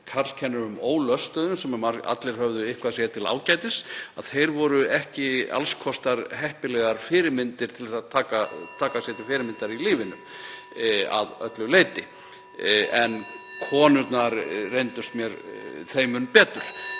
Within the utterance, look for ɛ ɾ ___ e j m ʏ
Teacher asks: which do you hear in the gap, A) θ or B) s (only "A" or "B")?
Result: A